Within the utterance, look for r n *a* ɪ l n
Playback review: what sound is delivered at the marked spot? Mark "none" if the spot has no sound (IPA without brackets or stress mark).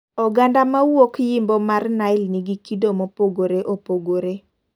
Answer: a